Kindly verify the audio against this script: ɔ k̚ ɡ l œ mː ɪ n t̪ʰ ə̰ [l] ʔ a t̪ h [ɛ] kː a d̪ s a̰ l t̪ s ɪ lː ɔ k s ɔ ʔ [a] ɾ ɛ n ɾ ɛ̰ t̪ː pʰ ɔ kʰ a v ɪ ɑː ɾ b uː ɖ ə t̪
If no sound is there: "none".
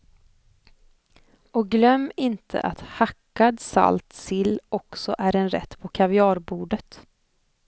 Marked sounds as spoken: none, a, æ

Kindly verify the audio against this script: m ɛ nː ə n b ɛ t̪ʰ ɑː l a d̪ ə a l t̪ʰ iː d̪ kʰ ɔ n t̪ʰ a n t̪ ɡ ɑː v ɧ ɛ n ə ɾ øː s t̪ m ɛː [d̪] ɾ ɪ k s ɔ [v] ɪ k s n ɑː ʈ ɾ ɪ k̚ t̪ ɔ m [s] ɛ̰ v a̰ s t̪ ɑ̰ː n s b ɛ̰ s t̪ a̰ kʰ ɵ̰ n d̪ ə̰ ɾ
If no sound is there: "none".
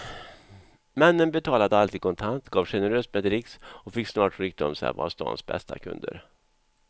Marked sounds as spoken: d̪, f, s

